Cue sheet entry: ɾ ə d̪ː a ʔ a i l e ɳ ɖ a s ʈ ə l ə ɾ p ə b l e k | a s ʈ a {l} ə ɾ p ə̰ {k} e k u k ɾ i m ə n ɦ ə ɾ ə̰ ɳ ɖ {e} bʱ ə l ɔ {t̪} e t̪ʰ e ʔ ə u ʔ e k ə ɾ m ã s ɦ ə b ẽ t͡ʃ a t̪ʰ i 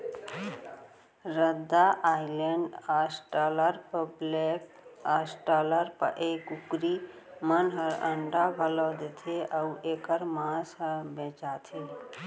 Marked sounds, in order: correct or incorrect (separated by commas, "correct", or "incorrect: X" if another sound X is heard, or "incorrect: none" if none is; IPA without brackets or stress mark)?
correct, incorrect: ʔ, incorrect: a, incorrect: d̪